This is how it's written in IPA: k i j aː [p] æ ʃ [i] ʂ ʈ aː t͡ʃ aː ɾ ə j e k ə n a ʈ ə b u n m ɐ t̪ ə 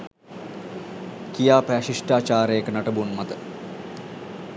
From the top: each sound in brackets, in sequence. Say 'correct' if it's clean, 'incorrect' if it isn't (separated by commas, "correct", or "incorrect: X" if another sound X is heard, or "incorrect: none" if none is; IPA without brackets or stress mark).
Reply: correct, correct